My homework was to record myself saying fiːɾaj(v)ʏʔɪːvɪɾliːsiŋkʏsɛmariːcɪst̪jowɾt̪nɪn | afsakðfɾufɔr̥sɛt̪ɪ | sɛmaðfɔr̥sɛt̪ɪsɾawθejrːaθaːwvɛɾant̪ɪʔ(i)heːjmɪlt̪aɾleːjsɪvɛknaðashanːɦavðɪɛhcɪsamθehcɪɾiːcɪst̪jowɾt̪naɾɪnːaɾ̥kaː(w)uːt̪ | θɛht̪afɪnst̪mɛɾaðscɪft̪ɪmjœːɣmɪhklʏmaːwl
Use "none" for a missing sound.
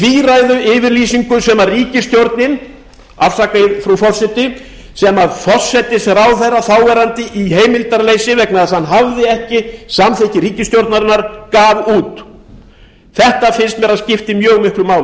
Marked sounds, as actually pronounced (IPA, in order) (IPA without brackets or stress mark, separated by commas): ð, i, v